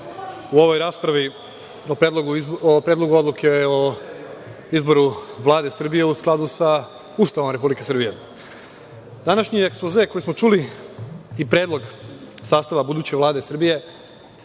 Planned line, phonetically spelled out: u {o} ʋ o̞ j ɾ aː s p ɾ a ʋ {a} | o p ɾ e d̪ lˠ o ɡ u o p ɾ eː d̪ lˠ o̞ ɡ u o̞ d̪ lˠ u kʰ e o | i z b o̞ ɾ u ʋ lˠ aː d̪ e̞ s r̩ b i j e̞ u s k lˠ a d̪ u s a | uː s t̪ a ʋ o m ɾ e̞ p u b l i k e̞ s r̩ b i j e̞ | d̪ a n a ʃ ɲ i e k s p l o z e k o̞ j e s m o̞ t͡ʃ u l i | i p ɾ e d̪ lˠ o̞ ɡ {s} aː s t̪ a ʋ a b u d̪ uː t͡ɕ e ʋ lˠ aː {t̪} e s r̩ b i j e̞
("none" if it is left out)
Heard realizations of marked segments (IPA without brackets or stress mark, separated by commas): o, i, s, d̪